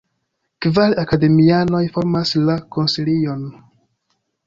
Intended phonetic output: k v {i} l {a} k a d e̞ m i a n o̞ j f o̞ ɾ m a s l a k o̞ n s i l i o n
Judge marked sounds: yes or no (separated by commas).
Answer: no, yes